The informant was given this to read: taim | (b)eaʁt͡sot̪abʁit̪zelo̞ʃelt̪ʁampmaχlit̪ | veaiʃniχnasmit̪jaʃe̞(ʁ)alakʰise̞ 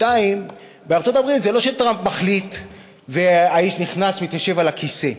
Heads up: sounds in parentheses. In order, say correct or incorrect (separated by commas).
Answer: correct, incorrect